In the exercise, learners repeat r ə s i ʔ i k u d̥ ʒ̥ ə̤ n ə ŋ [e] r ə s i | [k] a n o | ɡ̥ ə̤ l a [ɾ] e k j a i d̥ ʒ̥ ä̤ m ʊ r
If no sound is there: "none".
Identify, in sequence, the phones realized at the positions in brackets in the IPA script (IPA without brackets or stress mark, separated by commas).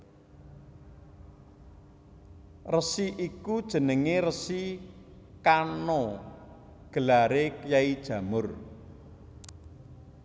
e, k, ɾ